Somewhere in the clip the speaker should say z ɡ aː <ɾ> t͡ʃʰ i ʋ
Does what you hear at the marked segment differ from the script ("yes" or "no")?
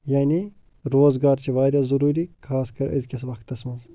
no